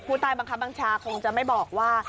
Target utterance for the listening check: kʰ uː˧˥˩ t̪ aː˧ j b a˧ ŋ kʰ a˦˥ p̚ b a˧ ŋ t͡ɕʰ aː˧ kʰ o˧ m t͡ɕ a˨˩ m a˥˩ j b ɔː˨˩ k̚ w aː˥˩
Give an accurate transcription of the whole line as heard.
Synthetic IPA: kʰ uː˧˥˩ t̪ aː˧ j b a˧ ŋ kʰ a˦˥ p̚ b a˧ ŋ t͡ɕʰ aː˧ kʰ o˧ ŋ t͡ɕ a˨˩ m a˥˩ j b ɔː˨˩ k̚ w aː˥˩